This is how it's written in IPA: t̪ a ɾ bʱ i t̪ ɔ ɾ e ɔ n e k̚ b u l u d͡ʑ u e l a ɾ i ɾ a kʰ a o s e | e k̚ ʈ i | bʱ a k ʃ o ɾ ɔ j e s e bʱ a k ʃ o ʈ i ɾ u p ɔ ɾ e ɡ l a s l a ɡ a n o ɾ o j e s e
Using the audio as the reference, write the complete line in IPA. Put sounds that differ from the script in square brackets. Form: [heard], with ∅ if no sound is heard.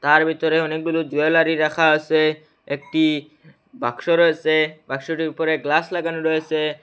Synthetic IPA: t̪ a ɾ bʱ i t̪ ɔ ɾ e ɔ n e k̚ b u l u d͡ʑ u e l a ɾ i ɾ a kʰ a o s e | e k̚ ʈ i | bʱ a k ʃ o ɾ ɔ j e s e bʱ a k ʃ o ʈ i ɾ u p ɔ ɾ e ɡ l a s l a ɡ a n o ɾ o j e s e